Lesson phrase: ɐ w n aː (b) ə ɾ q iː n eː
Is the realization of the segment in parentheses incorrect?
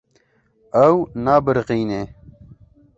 no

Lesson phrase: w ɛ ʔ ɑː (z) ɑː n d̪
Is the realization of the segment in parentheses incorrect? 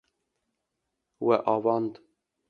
yes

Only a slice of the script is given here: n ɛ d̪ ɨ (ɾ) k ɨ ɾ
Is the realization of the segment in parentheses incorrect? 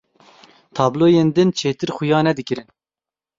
yes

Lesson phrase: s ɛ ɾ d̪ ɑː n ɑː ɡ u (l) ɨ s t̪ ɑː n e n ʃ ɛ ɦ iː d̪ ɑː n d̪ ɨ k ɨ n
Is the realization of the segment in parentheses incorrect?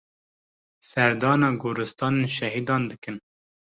yes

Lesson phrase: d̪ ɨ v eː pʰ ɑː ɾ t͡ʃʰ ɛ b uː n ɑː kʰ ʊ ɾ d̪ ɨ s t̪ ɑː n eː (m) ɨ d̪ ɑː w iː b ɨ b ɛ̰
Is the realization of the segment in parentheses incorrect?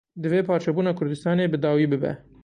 yes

